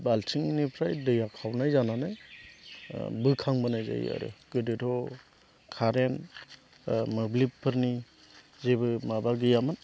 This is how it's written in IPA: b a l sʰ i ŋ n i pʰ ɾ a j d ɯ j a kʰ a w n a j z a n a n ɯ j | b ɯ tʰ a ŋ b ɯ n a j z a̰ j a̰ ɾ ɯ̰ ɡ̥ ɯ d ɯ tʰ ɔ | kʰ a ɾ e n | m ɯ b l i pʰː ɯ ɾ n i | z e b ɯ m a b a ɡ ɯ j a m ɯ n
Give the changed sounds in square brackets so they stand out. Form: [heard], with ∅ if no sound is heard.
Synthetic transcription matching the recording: b a l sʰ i ŋ n i pʰ ɾ a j d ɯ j a kʰ a w n a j z a n a n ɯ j | b ɯ [kʰ] a ŋ b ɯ n a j z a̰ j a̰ ɾ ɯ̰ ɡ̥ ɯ d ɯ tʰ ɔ | kʰ a ɾ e n | m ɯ b l i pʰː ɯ ɾ n i | z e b ɯ m a b a ɡ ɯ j a m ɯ n